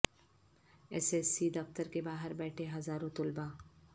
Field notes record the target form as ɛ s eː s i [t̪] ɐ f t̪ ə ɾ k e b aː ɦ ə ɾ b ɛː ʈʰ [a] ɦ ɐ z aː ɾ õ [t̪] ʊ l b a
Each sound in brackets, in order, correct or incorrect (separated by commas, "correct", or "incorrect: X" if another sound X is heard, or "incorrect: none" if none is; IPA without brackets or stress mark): incorrect: d̪, incorrect: e, correct